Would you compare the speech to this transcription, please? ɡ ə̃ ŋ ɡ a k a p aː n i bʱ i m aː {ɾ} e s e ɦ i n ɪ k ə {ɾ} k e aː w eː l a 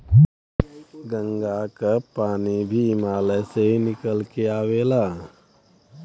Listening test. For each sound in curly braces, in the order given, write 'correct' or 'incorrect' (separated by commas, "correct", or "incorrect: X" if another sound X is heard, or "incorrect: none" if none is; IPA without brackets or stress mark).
incorrect: l, incorrect: l